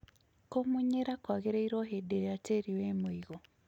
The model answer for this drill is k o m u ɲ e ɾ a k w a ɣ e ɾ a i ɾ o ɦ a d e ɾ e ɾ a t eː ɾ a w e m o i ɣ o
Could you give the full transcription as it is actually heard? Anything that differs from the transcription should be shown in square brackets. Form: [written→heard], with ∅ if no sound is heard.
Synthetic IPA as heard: k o m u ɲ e ɾ a k w a ɣ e ɾ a i ɾ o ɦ [a→e] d e ɾ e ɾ a t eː ɾ [a→i] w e m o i ɣ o